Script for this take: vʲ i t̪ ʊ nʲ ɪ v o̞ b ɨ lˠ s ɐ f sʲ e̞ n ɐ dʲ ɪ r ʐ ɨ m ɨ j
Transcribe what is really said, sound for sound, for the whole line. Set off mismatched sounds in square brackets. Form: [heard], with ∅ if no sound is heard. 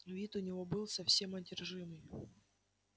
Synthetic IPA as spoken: vʲ i t̪ ʊ nʲ ɪ v o̞ b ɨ lˠ s ɐ f sʲ e̞ [m] ɐ dʲ ɪ r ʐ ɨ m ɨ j